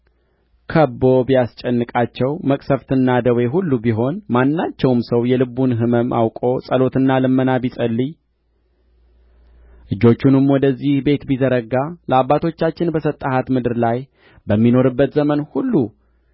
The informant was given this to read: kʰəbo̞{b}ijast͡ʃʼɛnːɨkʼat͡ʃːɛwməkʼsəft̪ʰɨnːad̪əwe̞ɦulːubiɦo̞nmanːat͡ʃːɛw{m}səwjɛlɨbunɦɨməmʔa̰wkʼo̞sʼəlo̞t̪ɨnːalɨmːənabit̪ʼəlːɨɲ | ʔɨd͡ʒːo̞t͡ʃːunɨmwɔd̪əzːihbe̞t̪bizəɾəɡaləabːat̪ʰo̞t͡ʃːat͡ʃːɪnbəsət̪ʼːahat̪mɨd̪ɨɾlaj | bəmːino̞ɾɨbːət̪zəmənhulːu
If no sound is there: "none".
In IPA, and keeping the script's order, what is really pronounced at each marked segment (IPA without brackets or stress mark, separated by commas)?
b, m